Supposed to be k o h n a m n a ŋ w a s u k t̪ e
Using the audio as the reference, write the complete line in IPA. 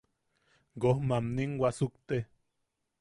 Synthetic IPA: ɡ o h m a m n i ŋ w a s u k t̪ e